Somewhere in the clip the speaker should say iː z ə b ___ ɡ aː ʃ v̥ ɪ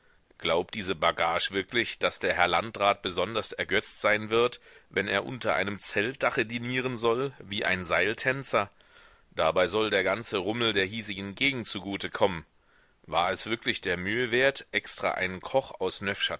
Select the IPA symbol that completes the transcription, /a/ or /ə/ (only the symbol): a